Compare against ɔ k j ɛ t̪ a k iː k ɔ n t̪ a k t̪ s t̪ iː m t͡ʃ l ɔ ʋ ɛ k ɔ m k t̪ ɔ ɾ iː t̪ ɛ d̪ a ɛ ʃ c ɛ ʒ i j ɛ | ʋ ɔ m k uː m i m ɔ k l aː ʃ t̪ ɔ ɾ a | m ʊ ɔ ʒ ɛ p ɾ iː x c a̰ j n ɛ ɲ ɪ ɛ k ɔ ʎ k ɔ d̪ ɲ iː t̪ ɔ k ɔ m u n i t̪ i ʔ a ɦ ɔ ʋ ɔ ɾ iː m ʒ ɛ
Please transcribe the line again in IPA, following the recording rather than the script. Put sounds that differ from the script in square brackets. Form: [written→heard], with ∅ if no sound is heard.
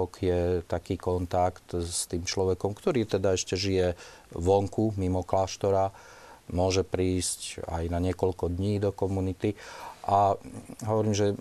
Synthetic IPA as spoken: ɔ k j ɛ t̪ a k iː k ɔ n t̪ a k t̪ s t̪ iː m t͡ʃ l ɔ ʋ ɛ k ɔ m k t̪ ɔ ɾ iː t̪ ɛ d̪ a ɛ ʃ c ɛ ʒ i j ɛ | ʋ ɔ [m→ŋ] k [uː→u] m i m ɔ k l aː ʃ t̪ ɔ ɾ a | m ʊ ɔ ʒ ɛ p ɾ iː [x→s] c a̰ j n [ɛ→a] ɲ ɪ ɛ k ɔ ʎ k ɔ d̪ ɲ iː [t̪→d̪] ɔ k ɔ m u n i t̪ i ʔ a ɦ ɔ ʋ ɔ ɾ iː m ʒ ɛ